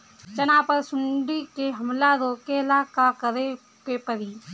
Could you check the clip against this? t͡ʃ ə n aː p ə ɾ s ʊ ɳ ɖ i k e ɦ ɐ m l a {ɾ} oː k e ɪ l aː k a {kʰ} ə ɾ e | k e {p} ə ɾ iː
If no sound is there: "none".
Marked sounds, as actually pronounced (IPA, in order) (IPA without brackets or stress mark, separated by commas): ɾ, k, p